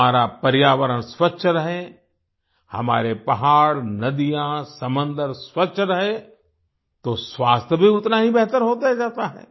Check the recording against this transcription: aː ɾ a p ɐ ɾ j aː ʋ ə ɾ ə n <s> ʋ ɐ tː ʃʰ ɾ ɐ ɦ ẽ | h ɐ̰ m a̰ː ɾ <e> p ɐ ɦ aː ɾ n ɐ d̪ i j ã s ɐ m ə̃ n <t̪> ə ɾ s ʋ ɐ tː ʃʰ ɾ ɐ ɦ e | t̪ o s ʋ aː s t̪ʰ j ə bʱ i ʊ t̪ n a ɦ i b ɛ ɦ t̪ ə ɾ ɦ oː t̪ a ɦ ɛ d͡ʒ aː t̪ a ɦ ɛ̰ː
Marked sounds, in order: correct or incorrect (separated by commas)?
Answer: correct, correct, incorrect